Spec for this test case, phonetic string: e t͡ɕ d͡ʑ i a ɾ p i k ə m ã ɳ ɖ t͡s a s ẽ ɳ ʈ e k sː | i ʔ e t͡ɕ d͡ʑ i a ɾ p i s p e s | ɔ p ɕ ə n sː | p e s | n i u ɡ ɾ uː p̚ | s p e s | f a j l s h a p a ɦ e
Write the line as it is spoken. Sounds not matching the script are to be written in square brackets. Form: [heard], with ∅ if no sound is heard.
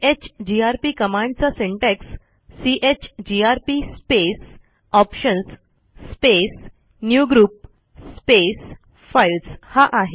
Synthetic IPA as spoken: e t͡ɕ d͡ʑ i a ɾ p i k ə m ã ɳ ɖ t͡s a s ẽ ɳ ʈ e k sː | i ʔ e t͡ɕ d͡ʑ i a ɾ p i s p e s | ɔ p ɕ ə n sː | p e s | n [j] u ɡ ɾ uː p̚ | s p e s | f a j l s h a [ʔ] a ɦ e